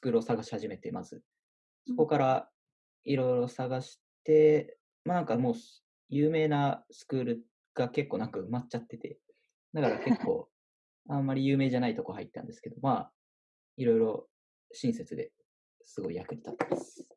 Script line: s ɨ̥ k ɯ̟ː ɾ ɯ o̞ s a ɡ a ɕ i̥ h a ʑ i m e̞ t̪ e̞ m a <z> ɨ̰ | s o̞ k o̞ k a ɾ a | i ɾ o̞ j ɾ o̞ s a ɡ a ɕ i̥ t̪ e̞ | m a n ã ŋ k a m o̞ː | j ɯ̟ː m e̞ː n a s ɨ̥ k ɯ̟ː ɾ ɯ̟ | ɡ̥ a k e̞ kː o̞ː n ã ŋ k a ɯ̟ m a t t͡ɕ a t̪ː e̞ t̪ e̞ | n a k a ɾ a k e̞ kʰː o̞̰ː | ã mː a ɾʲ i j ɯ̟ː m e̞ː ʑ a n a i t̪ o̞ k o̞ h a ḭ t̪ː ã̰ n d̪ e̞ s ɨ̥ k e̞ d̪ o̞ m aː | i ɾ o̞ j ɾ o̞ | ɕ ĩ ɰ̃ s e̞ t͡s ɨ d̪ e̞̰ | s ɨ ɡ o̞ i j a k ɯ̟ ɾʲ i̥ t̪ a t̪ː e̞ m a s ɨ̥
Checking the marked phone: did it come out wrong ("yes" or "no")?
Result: no